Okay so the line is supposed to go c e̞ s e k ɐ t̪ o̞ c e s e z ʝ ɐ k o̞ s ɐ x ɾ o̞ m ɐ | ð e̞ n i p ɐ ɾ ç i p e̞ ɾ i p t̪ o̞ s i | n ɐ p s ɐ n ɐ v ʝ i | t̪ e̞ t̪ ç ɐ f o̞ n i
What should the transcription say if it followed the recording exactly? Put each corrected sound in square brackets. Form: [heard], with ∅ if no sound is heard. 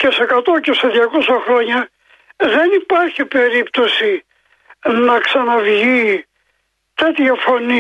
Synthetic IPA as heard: c e̞ s e k ɐ t̪ o̞ c e s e [ð] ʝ ɐ k o̞ s ɐ x ɾ o̞ [ɲ] ɐ | ð e̞ n i p ɐ ɾ ç i p e̞ ɾ i p t̪ o̞ s i | n ɐ [k] s ɐ n ɐ v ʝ i | t̪ e̞ t̪ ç ɐ f o̞ n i